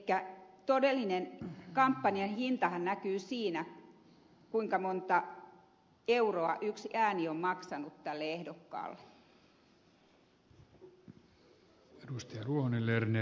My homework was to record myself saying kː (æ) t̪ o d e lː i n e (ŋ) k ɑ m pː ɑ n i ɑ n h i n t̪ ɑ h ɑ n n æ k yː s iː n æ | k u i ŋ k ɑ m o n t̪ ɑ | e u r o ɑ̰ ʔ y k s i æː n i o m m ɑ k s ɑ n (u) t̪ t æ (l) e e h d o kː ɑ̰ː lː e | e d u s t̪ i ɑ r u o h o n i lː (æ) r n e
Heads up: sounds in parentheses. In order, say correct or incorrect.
correct, incorrect, correct, incorrect, incorrect

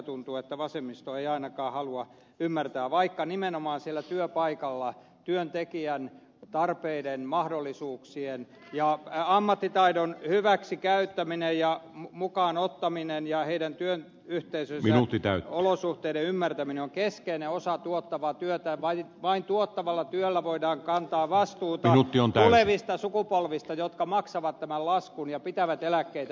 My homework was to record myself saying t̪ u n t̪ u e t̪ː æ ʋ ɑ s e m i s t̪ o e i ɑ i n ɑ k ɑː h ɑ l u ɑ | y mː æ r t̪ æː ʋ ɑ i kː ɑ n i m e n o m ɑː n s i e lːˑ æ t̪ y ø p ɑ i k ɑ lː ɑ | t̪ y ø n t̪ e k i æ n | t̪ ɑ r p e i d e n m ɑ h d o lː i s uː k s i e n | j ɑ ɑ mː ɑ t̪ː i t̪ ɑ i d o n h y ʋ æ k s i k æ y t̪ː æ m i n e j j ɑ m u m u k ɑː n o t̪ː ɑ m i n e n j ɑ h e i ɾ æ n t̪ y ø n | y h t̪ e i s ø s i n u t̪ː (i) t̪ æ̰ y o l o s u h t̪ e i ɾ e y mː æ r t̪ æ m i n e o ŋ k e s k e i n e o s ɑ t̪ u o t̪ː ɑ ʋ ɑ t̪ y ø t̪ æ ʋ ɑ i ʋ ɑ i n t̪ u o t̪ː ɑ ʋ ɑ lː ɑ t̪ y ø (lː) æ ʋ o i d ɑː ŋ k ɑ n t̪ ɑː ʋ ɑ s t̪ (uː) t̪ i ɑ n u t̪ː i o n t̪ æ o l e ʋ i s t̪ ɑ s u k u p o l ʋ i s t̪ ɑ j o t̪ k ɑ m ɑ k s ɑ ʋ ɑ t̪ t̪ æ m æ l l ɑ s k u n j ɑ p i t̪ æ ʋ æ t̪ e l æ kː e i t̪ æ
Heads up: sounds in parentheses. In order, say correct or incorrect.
correct, correct, correct

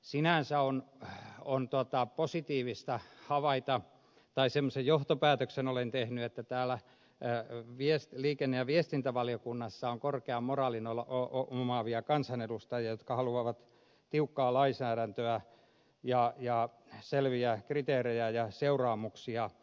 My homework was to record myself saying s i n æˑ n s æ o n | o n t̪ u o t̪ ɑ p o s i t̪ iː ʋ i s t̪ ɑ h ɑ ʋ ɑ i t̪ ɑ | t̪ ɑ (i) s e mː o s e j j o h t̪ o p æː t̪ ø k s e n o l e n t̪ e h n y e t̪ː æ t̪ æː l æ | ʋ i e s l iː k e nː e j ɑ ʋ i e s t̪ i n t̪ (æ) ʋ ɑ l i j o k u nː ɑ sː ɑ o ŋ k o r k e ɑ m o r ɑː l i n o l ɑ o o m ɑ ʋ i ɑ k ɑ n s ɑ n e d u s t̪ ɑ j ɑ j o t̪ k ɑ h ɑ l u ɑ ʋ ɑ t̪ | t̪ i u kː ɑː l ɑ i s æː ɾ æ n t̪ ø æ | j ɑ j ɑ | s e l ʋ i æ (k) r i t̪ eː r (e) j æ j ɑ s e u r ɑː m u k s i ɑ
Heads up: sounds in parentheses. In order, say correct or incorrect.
correct, correct, correct, correct

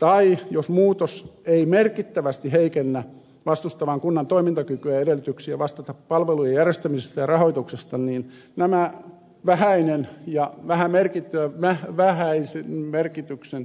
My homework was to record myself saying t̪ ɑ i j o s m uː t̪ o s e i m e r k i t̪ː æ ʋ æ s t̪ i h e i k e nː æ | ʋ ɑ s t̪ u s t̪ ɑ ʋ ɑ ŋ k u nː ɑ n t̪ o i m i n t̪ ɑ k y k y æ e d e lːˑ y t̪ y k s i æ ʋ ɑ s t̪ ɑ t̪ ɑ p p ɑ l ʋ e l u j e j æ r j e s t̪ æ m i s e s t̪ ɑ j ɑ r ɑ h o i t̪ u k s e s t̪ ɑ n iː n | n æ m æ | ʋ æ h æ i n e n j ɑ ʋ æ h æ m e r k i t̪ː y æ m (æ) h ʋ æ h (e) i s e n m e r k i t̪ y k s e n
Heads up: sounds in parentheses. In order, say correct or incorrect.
correct, incorrect

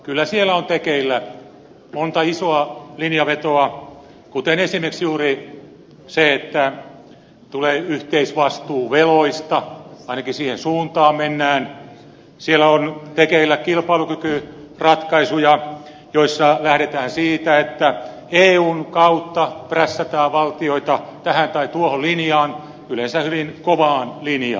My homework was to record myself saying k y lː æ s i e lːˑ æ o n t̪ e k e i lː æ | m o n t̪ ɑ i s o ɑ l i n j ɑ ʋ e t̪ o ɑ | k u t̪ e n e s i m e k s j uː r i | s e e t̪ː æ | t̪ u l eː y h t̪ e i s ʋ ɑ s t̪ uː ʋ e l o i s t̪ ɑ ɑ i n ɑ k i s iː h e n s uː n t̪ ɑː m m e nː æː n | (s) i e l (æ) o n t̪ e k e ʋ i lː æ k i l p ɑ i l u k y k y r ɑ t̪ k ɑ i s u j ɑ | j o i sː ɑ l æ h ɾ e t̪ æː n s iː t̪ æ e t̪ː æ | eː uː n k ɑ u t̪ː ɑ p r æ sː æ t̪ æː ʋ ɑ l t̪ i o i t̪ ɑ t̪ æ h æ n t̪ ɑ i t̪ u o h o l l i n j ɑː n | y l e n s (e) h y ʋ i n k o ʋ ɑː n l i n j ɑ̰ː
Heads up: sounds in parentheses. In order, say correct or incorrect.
correct, correct, incorrect

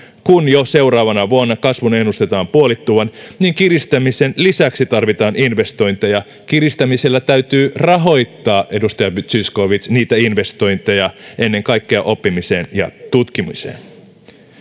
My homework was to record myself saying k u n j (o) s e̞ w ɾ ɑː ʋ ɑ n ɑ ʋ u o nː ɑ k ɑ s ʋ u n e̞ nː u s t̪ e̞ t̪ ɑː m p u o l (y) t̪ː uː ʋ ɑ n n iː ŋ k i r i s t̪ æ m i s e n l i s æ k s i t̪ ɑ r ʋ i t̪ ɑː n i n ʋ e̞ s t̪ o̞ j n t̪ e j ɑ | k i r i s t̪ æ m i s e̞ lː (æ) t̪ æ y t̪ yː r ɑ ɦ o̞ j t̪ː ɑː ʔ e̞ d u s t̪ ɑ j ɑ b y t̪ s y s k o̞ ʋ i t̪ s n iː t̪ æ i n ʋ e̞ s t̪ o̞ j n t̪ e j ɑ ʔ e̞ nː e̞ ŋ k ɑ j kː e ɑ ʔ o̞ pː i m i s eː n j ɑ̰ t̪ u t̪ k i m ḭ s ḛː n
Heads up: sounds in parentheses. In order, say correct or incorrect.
correct, incorrect, correct

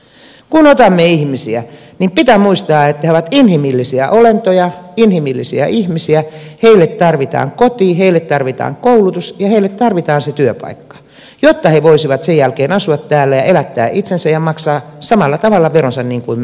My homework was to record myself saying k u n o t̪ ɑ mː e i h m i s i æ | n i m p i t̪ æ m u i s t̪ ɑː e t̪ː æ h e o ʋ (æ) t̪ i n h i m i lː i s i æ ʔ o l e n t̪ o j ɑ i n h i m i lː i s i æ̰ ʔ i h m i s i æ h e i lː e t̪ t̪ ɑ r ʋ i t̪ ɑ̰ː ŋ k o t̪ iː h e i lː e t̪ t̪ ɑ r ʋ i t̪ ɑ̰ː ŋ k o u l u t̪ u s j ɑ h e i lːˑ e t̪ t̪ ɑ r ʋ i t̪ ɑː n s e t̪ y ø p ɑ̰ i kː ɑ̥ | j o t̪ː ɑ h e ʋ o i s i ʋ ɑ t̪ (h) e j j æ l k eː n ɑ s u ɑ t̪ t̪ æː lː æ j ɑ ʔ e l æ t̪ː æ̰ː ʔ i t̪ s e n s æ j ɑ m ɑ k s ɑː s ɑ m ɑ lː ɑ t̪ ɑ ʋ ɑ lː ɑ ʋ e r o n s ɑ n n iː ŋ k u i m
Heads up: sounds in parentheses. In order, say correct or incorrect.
correct, incorrect

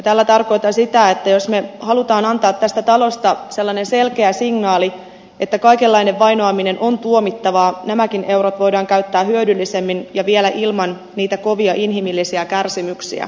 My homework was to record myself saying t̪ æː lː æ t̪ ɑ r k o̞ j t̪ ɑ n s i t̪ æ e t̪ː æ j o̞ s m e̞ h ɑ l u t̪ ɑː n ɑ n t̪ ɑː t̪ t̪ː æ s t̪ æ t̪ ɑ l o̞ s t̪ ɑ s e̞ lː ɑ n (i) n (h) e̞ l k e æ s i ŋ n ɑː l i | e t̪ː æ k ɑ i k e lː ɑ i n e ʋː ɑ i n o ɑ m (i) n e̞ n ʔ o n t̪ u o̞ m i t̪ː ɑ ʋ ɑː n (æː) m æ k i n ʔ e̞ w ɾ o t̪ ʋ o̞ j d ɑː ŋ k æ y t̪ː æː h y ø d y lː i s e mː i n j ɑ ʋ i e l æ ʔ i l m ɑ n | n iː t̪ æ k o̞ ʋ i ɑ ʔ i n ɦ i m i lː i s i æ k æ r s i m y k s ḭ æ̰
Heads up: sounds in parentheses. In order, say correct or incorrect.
incorrect, incorrect, correct, incorrect

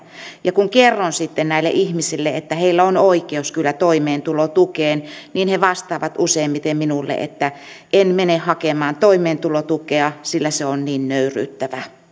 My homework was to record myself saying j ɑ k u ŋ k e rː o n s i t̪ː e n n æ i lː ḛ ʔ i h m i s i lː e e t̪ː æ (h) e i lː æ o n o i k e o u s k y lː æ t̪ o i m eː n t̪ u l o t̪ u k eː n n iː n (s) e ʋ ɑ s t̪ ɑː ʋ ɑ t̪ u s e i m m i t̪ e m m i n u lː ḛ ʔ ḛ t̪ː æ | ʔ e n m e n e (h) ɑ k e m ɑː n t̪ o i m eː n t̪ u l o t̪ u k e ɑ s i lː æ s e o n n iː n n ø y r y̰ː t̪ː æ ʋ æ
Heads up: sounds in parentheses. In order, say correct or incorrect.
correct, incorrect, correct

